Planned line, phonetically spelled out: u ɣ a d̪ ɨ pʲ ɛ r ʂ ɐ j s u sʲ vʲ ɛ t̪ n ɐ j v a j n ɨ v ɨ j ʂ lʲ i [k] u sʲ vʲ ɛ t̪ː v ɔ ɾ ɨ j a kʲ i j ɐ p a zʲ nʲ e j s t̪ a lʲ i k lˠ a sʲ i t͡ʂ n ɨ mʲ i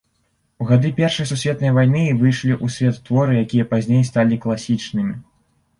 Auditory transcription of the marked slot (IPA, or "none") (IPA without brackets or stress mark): ʔ